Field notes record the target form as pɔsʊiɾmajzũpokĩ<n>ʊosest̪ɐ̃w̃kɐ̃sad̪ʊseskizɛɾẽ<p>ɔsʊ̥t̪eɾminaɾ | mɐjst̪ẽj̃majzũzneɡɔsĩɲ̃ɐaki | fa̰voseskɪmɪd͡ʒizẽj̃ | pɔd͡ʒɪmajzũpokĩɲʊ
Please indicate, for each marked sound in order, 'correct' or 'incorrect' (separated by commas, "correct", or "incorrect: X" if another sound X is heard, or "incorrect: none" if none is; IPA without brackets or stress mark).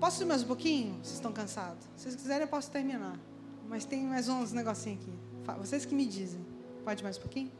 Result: incorrect: ɲ, correct